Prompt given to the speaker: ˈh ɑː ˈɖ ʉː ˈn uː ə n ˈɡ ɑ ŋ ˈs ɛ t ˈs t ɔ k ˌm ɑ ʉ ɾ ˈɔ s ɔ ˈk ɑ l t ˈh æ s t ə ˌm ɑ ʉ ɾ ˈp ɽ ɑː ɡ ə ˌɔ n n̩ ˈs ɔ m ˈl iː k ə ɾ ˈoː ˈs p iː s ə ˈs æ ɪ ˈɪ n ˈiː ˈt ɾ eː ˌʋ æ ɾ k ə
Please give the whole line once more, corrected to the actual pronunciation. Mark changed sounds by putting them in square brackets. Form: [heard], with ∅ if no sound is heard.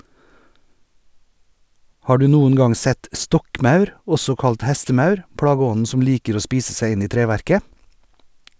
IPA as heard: ˈh ɑː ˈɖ ʉː ˈn uː ə n ˈɡ ɑ ŋ ˈs ɛ t ˈs t ɔ k ˌm ɑ ʉ ɾ ˈɔ s ɔ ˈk ɑ l t ˈh æ s t ə ˌm ɑ ʉ ɾ ˈp ɽ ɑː ɡ ə ˌɔ n n̩ ˈs ɔ m ˈl iː k ə ɾ ˈoː ˈs p iː s ə ˈs æ ɪ ˈɪ n ˈiː ˈt ɾ eː ˌʋ æ ɾ k ə